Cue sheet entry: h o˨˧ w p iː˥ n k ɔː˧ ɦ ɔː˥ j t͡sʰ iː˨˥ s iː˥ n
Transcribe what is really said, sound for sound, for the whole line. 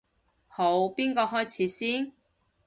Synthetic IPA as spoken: h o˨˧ w p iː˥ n k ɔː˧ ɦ ɔː˥ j t͡sʰ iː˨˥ s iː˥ n